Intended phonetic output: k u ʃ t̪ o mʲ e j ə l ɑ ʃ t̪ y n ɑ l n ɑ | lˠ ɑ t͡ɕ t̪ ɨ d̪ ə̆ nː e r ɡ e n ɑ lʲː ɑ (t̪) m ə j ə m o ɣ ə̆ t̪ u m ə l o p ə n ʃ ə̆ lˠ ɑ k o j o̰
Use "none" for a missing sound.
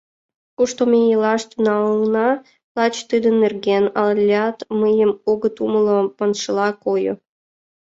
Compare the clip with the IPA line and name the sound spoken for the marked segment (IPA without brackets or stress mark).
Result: t̪